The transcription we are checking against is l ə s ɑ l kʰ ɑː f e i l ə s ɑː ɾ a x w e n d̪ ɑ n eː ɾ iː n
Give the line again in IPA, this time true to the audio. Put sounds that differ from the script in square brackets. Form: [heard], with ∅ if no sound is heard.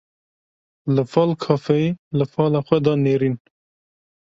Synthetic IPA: l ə [f] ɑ l kʰ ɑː f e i l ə [f] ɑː [l] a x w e [∅] d̪ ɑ n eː ɾ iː n